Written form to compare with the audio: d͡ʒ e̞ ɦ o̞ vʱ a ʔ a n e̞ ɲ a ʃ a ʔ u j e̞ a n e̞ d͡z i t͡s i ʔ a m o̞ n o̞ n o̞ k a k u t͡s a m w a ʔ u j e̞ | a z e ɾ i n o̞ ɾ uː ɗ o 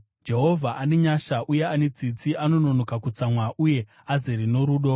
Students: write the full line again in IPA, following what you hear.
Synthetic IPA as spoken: d͡ʒ e̞ ɦ o̞ vʱ a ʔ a n e̞ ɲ a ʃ a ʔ u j e̞ a n e̞ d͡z i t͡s i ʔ a n o̞ n o̞ n o̞ k a k u t͡s a m w a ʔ u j e̞ | a z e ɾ i n o̞ ɾ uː ɗ o

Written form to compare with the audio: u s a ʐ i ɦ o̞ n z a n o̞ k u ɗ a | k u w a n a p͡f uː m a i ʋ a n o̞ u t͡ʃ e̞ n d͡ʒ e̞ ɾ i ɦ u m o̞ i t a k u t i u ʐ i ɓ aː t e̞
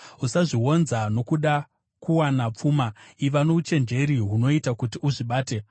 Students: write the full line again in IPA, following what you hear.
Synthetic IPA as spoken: u s a ʐ i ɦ o̞ n z a n o̞ k u ɗ a | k u w a n a p͡f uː m a i ʋ a n o̞ u t͡ʃ e̞ n d͡ʒ e̞ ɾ i ɦ u n o̞ i t a k u t i u ʐ i ɓ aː t e̞

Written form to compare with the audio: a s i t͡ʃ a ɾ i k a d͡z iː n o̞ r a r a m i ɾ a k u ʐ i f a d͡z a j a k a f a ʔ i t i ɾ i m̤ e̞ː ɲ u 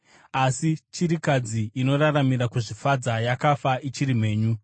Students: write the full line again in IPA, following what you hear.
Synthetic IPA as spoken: a s i t͡ʃ i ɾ i k a d͡z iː n o̞ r a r a m i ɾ a k u ʐ i f a d͡z a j a k a f a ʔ i t͡ʃ i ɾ i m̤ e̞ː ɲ u

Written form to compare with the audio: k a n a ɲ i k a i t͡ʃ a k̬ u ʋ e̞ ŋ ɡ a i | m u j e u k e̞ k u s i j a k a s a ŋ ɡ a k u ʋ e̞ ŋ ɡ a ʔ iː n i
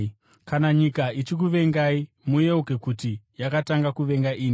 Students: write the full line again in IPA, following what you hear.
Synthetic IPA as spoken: k a n a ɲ i k a i t͡ʃ i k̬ u ʋ e̞ ŋ ɡ a i | m u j e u k e̞ k u t i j a k a t a ŋ ɡ a k u ʋ e̞ ŋ ɡ a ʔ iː n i

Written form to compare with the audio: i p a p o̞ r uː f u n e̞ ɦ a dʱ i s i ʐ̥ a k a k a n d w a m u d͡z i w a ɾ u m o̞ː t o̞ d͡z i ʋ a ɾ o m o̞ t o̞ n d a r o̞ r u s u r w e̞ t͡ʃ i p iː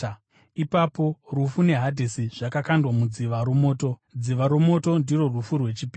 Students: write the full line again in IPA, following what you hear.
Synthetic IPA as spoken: i p a p o̞ r u f u n e̞ ɦ a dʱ i s i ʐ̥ a k a k a n d w a m u d͡z i ʋ a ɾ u m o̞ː t o̞ d͡z i ʋ a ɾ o m o̞ t o̞ n d i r o̞ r u f u r w e̞ t͡ʃ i p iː

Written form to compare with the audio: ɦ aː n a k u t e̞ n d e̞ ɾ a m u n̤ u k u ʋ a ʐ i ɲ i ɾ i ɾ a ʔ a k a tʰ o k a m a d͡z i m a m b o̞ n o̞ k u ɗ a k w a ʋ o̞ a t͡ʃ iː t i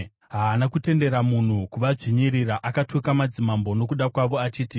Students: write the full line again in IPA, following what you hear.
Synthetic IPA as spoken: ɦ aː n a k u t e̞ n d e̞ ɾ a m u n̤ u k u ʋ a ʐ i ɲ i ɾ i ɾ a ʔ a k a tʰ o k a m a d͡z i m a m b o̞ n o̞ k u ɗ a k w a ʋ o̞ a t͡ʃ iː t i

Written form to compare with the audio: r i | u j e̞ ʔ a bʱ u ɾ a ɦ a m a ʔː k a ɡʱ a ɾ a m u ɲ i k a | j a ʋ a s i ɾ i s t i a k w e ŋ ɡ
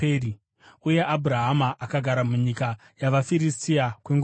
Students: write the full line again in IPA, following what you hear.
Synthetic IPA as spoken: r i | u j e̞ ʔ a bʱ u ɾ a ɦ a m a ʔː k a ɡʱ a ɾ a m u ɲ i k a | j a ʋ a f i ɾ i s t i a k w e ŋ ɡ

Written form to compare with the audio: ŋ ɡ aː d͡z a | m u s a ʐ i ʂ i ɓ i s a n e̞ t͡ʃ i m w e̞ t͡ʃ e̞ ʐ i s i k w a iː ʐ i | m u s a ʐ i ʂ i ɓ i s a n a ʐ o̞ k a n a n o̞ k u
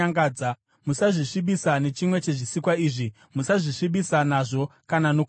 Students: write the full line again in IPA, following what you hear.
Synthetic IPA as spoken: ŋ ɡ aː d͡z a | m u s a ʐ i ʂ i ɓ i s a n e̞ t͡ʃ i m w e̞ t͡ʃ e̞ ʐ i s i k w a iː ʐ i | m u s a ʐ i ʂ i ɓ i s a n a ʐ o̞ k a n a n o̞ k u

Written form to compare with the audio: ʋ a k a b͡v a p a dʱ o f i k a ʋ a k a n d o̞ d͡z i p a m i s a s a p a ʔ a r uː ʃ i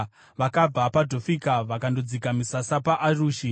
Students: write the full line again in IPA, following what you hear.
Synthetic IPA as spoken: ʋ a k a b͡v a p a dʱ o f i k a ʋ a k a n d o̞ d͡z i k a m i s a s a p a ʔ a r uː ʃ i

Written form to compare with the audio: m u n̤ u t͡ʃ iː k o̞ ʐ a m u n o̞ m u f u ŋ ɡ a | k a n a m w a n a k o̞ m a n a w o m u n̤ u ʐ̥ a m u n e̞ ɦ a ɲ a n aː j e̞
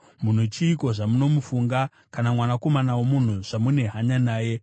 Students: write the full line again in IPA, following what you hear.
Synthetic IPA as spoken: m u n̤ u t͡ʃ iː k o̞ ʐ a m u n o̞ m u f u ŋ ɡ a | k a n a m w a n a k o̞ m a n a w o m u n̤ u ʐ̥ a m u n e̞ ɦ a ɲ a n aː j e̞

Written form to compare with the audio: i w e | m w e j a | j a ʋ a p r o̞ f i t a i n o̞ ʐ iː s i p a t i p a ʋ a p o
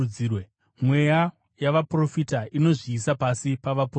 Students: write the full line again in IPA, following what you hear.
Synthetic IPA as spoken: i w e | m w e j a | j a ʋ a p r o̞ f i t a i n o̞ ʐ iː s a p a s i p a ʋ a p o

